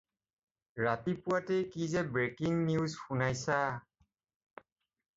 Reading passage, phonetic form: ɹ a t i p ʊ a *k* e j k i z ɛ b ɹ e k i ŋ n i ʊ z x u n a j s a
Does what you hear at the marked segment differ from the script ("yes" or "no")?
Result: yes